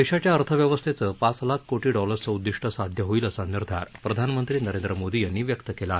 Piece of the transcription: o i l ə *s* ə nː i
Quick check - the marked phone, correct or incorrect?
correct